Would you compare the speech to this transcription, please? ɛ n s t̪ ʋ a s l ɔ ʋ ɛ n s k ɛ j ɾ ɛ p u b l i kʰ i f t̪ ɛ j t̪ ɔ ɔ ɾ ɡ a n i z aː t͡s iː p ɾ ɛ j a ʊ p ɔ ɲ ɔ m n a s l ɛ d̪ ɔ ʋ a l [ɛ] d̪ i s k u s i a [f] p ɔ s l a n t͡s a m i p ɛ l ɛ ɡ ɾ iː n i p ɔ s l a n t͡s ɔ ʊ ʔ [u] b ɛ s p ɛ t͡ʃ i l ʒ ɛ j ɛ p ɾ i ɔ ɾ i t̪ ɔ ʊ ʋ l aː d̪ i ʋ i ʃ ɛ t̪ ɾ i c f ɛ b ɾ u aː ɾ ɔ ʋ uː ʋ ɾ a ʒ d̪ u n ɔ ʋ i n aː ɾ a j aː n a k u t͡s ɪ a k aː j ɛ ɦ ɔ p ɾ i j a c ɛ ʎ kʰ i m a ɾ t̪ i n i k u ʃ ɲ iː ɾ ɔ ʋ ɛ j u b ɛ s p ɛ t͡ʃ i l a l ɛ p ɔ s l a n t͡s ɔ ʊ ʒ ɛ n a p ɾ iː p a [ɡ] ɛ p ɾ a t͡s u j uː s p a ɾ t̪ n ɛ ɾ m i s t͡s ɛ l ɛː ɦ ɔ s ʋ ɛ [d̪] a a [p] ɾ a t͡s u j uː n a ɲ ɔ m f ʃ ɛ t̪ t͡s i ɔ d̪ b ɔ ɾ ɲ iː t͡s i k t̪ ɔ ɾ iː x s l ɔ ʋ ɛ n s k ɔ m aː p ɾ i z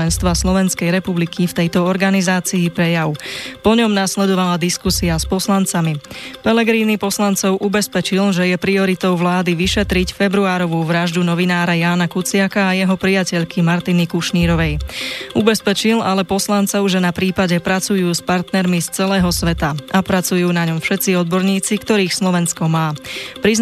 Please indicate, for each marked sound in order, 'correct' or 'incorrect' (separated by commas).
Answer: incorrect, incorrect, correct, incorrect, incorrect, correct